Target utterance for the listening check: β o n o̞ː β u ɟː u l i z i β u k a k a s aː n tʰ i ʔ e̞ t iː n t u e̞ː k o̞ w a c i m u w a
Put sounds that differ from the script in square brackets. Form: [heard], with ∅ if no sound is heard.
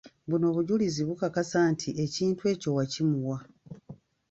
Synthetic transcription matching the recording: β [u] n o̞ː β u [ɟ] u l i z i β u k a k a s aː n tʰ i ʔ e̞ [c] iː n t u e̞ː [c] o̞ w a c i m u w a